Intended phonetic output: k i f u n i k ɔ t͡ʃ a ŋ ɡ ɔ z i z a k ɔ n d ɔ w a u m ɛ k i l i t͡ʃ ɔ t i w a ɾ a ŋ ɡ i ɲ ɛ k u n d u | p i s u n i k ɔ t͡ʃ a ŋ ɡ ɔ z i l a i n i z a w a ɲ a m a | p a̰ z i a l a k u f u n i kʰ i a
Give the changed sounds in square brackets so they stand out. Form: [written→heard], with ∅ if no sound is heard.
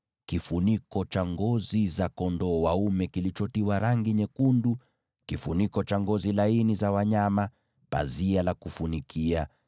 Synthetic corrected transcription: k i f u n i k ɔ t͡ʃ a ŋ ɡ ɔ z i z a k ɔ n d ɔ w a u m ɛ k i l i t͡ʃ ɔ t i w a ɾ a ŋ ɡ i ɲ ɛ k u n d u | [p→k] i [s→f] u n i k ɔ t͡ʃ a ŋ ɡ ɔ z i l a i n i z a w a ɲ a m a | p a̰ z i a l a k u f u n i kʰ i a